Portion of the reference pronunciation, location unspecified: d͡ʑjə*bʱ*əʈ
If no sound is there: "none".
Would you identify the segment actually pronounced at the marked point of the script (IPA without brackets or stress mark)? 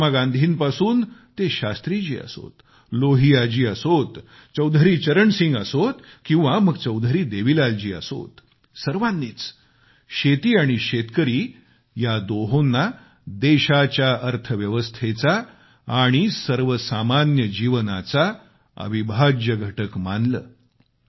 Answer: ɡʱ